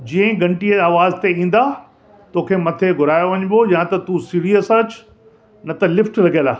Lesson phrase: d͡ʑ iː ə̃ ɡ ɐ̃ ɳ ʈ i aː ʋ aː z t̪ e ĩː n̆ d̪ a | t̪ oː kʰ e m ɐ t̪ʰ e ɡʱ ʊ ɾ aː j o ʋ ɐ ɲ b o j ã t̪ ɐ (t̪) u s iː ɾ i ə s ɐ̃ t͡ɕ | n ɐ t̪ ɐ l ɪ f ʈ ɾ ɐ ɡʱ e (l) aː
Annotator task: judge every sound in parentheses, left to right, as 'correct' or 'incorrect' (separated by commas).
correct, correct